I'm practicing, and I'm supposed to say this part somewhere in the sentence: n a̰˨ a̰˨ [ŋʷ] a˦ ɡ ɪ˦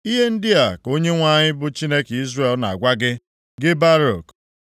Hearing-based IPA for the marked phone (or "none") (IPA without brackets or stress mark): ɡʷ